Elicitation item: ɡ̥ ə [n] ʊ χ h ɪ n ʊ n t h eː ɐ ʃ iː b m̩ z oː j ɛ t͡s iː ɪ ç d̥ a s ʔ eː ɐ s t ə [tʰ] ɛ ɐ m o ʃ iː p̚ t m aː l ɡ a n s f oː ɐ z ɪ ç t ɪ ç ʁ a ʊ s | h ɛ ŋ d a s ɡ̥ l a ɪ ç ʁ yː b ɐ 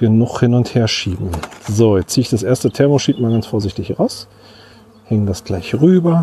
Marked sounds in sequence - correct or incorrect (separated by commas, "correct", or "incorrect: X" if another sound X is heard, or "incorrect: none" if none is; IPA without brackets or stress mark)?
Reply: correct, correct